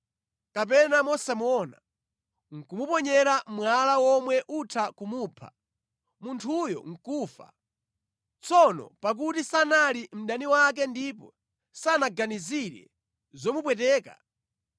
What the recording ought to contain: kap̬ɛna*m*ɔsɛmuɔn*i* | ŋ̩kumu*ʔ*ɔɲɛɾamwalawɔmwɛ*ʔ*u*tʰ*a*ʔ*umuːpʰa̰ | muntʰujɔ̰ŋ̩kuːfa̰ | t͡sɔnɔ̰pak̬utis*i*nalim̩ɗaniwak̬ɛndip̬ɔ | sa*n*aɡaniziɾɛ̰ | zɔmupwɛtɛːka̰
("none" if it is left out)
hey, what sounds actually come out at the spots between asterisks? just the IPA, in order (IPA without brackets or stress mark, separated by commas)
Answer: m, a, p, ʔ, tʰ, k, a, n